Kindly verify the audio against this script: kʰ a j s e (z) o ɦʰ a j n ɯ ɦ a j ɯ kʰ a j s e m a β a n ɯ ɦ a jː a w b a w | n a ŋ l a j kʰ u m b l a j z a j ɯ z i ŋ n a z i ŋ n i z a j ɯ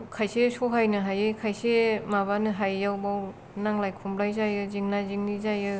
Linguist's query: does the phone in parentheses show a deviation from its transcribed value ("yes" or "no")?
yes